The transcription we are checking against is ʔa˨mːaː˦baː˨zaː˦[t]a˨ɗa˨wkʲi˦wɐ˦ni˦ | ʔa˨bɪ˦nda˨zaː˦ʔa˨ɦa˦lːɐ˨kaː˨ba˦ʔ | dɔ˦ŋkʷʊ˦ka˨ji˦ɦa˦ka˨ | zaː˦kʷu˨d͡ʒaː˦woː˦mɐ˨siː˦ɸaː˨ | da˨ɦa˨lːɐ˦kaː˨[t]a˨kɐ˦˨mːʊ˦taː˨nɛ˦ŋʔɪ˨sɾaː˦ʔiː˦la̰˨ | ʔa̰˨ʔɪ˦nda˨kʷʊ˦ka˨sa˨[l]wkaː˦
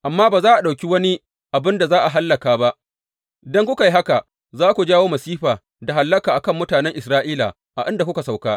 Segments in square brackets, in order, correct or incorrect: incorrect: ʔ, incorrect: ʔ, incorrect: none

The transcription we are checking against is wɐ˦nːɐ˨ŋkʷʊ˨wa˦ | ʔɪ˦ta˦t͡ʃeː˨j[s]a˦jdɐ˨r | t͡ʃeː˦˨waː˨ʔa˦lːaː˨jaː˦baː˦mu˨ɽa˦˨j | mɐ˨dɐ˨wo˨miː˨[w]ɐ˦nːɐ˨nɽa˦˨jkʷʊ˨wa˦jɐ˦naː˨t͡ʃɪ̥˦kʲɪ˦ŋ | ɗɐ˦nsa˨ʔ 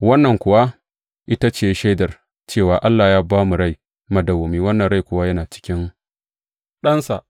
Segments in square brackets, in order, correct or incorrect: incorrect: ʃ, correct

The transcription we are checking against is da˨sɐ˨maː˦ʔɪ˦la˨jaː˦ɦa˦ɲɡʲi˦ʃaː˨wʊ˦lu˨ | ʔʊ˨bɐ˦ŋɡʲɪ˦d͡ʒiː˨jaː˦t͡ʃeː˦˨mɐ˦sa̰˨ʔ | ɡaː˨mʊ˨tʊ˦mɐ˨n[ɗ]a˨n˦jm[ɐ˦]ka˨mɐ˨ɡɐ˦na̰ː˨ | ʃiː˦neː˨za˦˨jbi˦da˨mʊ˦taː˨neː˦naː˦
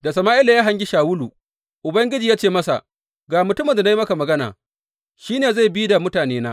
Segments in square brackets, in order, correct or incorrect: incorrect: d, correct

